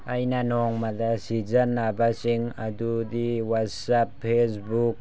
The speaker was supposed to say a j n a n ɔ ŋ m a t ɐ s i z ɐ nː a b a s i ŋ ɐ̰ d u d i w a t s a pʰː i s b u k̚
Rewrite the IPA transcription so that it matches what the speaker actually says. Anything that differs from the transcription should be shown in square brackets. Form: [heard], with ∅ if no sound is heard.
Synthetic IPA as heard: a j n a n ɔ ŋ m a [d] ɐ s i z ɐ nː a b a s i ŋ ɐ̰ d u d i w a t s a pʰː [e] s b u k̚